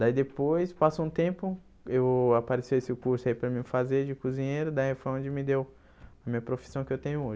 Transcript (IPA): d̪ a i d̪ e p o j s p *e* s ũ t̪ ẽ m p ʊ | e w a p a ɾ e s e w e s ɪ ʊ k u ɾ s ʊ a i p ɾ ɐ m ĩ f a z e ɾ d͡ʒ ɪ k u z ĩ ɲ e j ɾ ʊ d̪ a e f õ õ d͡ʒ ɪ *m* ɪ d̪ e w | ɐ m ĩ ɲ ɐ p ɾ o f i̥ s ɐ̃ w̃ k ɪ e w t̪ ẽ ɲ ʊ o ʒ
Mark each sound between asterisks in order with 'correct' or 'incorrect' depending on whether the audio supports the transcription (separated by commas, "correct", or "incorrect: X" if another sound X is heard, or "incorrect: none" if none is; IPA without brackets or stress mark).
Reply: incorrect: a, correct